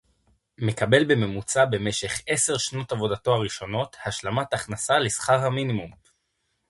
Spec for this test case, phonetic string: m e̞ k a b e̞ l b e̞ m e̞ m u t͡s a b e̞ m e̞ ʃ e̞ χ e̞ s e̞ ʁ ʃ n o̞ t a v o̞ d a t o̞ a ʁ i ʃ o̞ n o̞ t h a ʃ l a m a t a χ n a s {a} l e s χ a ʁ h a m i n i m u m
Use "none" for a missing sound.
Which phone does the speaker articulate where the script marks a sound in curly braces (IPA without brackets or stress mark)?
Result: a